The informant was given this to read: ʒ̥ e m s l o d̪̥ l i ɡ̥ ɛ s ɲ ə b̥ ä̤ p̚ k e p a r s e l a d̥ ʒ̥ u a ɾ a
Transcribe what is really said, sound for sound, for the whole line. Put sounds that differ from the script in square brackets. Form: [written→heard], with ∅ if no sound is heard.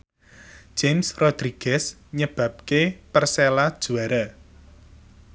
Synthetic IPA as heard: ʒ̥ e m s [l→r] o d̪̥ [l→ɾ] i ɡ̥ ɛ s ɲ ə b̥ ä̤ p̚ k e p [a→ə] r s e l a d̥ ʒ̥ u a ɾ a